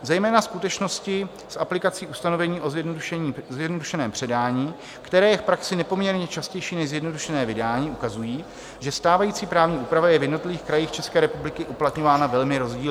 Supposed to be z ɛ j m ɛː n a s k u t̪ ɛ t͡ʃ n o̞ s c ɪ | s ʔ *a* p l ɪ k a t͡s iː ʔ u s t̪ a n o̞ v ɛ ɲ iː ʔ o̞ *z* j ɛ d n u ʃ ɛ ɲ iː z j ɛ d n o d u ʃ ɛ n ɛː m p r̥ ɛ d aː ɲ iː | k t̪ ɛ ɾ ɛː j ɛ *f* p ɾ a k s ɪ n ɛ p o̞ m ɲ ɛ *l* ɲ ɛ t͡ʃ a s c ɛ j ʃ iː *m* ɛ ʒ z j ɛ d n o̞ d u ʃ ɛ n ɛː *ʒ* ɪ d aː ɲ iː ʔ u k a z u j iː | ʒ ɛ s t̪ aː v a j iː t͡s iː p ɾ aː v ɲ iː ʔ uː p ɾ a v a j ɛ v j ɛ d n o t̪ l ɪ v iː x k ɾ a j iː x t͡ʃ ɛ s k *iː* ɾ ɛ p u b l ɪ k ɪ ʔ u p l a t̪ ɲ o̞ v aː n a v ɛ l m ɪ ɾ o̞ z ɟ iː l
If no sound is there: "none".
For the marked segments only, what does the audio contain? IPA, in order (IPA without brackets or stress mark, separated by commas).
a, z, f, ɾ, n, v, ɛː